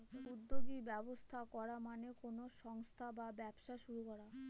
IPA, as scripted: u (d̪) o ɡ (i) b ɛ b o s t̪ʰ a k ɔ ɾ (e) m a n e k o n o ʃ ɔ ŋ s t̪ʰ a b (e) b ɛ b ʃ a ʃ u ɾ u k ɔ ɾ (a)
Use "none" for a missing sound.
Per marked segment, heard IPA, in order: d̪ː, i, a, a, a

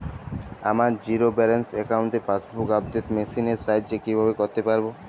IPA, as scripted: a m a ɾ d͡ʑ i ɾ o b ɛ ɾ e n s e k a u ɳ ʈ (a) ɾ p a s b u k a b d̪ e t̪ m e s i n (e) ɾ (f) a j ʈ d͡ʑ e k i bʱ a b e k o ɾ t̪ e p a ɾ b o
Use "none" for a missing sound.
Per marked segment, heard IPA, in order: e, e, s

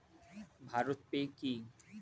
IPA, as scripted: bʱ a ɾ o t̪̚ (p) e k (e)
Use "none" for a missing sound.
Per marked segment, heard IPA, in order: p, i

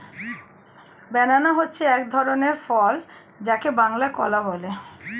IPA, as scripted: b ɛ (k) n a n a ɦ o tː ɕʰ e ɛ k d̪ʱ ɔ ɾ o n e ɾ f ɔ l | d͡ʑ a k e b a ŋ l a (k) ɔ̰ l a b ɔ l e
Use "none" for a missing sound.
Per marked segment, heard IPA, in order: none, k

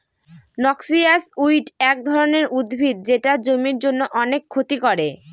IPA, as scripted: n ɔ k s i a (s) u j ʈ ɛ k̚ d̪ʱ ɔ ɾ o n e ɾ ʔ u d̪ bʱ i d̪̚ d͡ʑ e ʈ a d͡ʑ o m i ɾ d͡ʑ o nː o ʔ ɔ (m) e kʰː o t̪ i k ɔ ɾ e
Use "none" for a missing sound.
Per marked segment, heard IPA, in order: s, n

